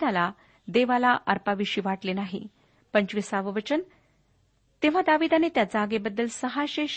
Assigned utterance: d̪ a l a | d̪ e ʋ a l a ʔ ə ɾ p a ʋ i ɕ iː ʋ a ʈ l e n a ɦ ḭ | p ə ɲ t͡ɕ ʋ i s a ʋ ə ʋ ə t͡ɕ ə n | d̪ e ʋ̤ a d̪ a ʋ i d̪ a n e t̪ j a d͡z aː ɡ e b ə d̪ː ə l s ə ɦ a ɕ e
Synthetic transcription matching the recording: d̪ a l a | d̪ e ʋ a l a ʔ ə ɾ p a ʋ i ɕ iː ʋ a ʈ l e n a ɦ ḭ | p ə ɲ t͡ɕ ʋ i s a ʋ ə ʋ ə t͡ɕ ə n | t̪ e ʋ̤ a d̪ a ʋ i d̪ a n e t̪ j a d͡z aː ɡ e b ə d̪ː ə l s ə ɦ a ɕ e